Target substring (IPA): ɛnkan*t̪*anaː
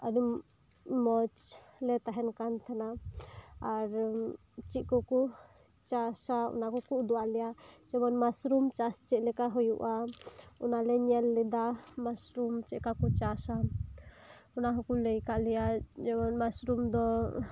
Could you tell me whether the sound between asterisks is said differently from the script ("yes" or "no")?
yes